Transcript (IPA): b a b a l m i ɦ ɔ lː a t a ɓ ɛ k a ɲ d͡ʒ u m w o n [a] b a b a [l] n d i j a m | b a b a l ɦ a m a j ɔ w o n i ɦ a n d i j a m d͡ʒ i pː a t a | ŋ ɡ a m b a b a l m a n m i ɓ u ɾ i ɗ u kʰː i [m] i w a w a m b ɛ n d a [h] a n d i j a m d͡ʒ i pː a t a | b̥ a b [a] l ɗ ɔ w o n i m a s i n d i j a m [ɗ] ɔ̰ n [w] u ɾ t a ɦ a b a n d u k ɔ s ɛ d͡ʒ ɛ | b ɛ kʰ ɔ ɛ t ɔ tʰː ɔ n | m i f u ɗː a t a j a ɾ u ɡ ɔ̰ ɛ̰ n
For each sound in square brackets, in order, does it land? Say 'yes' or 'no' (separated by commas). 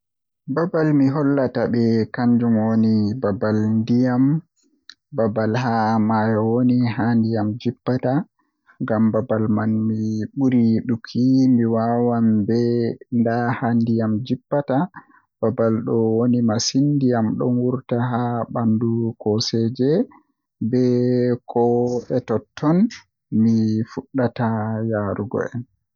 no, yes, yes, yes, yes, yes, yes